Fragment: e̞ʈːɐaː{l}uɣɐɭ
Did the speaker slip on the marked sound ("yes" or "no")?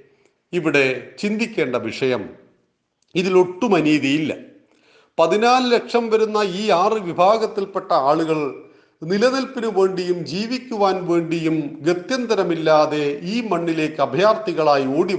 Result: yes